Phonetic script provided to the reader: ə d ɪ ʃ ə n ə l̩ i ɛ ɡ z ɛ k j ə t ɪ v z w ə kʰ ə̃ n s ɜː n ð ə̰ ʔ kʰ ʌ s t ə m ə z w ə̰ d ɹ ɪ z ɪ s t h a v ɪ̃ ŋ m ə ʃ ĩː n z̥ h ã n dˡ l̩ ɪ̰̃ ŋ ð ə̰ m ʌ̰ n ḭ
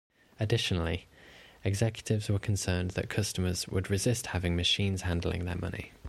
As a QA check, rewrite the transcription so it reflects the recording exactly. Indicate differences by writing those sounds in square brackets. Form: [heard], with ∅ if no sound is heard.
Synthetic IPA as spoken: ə d ɪ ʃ ə n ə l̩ i ɛ ɡ z ɛ k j ə t ɪ v z w ə kʰ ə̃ n s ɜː n ð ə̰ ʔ kʰ ʌ s t ə m ə z w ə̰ d ɹ ɪ z ɪ s t h a v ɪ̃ ŋ m ə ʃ ĩː n z̥ h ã n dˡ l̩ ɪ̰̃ ŋ ð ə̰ m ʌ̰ n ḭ